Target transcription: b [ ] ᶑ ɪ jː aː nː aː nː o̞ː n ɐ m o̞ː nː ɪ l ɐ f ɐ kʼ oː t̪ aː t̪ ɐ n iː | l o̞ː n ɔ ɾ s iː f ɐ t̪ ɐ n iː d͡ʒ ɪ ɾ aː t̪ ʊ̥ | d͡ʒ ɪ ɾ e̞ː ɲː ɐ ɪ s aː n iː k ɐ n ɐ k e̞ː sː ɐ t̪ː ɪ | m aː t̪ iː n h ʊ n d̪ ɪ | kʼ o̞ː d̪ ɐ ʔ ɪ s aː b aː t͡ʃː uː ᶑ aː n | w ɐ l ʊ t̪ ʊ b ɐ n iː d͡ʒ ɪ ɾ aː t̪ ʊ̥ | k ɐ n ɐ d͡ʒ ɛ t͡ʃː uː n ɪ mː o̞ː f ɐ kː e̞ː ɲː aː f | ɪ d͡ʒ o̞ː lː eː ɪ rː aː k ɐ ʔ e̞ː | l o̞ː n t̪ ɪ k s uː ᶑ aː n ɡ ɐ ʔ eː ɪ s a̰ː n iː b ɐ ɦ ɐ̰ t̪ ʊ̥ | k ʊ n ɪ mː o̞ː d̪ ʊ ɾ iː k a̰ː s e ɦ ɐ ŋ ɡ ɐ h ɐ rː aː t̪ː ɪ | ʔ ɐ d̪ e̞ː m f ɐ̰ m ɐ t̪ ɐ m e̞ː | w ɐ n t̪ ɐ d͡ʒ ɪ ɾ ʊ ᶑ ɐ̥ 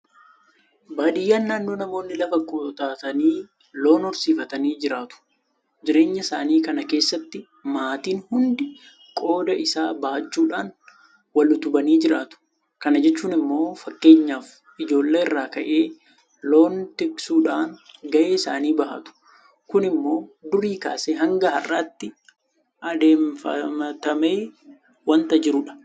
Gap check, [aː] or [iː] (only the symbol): aː